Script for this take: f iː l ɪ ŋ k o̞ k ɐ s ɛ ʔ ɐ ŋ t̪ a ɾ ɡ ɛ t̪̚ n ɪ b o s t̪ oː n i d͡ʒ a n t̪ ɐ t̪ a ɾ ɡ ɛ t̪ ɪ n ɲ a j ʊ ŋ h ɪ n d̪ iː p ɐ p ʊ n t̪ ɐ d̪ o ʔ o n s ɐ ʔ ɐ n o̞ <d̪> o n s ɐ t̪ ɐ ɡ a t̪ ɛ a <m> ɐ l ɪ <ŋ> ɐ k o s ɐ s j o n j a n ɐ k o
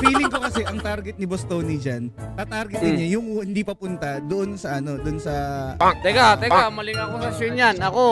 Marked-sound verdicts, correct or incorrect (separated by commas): correct, correct, correct